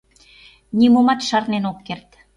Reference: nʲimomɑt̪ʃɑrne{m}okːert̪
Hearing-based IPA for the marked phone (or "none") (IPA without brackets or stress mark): n